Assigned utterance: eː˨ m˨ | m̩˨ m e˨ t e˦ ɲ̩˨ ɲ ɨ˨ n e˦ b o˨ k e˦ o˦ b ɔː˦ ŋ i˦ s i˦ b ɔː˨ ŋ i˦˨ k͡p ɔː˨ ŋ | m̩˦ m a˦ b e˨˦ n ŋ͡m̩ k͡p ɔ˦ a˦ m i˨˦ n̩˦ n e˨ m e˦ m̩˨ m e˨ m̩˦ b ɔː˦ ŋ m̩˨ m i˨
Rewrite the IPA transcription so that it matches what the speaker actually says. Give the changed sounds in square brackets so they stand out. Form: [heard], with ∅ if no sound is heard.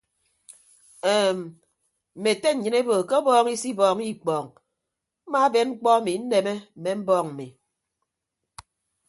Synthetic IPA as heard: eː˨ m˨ | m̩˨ m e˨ t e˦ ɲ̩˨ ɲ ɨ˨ n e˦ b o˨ k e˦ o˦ b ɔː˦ ŋ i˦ s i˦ b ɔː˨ ŋ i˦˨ k͡p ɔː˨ ŋ | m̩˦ m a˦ b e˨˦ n ŋ͡m̩ k͡p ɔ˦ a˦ m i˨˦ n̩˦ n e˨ m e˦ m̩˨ m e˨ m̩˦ b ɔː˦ ŋ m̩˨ m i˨